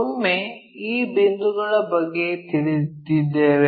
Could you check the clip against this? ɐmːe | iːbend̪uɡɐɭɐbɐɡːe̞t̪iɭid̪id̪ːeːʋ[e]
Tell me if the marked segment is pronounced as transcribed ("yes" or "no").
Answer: yes